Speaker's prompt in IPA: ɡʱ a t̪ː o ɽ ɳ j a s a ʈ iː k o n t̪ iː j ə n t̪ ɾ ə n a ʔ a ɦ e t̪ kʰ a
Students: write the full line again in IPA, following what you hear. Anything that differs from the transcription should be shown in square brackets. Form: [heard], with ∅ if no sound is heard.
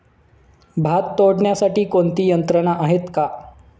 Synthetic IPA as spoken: [bʱ] a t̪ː o ɽ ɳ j a s a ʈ iː k o n t̪ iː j ə n t̪ ɾ ə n a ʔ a ɦ e t̪ [k] a